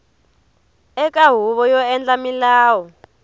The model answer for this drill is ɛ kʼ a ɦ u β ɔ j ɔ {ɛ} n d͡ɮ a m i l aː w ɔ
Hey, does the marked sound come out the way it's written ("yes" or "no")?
yes